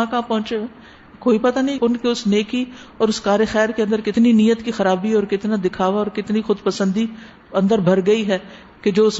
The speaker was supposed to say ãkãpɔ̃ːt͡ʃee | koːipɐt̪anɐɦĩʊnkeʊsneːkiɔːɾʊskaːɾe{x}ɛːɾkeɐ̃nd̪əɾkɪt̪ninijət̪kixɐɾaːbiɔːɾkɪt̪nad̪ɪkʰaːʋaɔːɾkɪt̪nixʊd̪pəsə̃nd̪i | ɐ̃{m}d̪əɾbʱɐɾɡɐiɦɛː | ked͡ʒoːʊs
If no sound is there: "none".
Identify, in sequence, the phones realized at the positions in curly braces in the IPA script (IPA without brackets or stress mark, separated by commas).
x, n